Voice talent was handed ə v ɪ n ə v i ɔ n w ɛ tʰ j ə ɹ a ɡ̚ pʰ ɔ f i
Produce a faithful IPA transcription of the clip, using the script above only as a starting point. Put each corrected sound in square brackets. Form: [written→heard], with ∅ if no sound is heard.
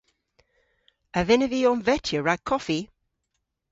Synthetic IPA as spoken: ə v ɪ n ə v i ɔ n [w→v] ɛ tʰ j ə ɹ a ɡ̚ [pʰ→kʰ] ɔ f i